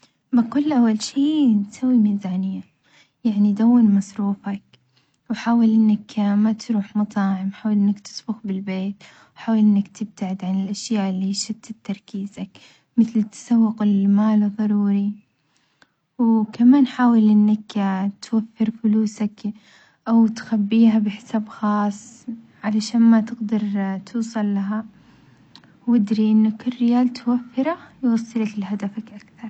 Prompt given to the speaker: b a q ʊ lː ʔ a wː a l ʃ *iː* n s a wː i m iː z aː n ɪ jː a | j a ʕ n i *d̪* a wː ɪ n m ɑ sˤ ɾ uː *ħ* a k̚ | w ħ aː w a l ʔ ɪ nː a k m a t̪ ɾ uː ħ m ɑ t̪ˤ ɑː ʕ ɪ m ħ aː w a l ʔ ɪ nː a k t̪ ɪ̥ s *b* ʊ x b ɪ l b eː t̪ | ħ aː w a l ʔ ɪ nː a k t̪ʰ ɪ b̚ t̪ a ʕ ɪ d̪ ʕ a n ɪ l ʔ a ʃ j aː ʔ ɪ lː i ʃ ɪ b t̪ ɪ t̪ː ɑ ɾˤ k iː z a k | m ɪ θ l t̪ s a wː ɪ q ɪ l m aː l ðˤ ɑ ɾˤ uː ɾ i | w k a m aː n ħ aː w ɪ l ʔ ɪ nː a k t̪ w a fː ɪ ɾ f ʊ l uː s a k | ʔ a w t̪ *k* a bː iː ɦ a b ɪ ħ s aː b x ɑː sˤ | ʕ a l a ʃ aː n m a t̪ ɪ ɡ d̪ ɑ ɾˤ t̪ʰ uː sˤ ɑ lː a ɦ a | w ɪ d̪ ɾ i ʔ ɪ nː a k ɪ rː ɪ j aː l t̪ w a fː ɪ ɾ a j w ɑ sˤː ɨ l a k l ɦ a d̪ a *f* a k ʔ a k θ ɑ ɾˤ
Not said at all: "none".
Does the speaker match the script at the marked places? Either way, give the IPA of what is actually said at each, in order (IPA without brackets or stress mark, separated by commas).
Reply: iː, d̪, f, b, x, f